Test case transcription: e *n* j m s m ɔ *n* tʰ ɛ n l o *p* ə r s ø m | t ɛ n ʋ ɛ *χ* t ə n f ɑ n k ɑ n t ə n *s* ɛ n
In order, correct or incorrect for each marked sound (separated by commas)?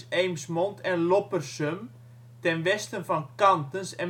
incorrect, correct, correct, incorrect, correct